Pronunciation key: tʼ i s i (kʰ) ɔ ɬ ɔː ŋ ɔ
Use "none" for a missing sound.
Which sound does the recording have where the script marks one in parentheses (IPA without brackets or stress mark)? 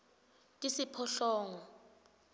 pʰ